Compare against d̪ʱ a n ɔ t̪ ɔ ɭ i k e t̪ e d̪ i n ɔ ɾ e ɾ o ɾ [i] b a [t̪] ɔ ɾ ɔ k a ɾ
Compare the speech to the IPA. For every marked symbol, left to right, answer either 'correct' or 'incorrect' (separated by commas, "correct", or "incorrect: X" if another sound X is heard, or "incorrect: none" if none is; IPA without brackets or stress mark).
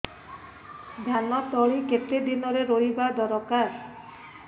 correct, incorrect: d̪